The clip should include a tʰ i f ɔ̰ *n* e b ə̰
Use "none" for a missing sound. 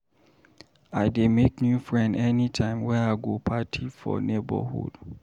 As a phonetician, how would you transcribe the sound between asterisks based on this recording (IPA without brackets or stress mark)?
n